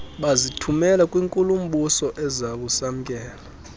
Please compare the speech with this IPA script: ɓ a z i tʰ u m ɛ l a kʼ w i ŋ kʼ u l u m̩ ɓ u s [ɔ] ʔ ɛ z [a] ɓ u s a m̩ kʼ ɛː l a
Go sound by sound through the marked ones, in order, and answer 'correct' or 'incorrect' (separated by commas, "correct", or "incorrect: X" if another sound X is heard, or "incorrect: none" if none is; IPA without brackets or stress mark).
correct, correct